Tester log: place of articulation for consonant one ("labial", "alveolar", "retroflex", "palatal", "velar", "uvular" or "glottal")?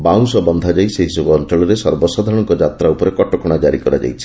labial